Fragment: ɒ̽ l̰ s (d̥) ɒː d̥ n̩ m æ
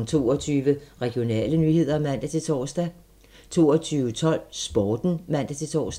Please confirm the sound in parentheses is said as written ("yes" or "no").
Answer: no